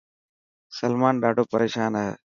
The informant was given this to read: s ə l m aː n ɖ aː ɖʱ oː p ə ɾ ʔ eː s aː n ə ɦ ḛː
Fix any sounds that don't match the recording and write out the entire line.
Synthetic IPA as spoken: s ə l m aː n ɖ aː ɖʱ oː p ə ɾ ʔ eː ʃ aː n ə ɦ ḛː